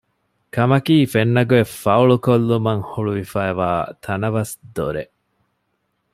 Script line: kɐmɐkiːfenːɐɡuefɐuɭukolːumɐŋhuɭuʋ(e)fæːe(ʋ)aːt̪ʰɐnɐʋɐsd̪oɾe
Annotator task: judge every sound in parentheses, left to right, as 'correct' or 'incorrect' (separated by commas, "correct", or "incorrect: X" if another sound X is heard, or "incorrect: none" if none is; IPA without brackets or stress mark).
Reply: incorrect: i, correct